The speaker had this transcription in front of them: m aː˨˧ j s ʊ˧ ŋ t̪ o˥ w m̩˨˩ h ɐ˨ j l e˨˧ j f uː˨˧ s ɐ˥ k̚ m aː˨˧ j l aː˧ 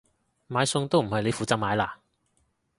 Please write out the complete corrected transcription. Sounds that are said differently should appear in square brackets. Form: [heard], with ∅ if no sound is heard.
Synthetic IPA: m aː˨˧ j s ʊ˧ ŋ t̪ o˥ w m̩˨˩ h ɐ˨ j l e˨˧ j f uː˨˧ [t͡s] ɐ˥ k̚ m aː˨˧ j l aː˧